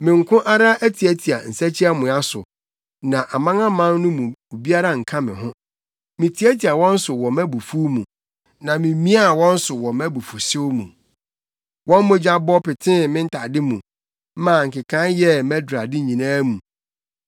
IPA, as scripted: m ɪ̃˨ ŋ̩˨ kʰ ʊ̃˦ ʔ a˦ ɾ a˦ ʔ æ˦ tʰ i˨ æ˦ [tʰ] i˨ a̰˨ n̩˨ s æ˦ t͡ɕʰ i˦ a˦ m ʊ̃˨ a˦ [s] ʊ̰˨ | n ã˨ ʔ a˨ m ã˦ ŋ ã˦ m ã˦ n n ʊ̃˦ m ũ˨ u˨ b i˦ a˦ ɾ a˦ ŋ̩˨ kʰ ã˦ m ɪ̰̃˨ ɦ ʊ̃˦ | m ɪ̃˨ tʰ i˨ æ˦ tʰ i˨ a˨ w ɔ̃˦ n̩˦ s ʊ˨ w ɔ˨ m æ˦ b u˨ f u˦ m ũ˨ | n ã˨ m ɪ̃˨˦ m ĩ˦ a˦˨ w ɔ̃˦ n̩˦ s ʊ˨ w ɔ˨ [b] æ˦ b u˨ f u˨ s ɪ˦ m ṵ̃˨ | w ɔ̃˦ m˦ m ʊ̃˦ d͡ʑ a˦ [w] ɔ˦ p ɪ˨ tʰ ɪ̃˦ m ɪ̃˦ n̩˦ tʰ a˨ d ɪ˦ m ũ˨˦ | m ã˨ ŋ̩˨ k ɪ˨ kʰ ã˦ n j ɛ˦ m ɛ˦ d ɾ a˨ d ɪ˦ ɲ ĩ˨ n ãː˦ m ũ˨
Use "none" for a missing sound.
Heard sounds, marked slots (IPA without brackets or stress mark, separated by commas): tʰ, s, m, b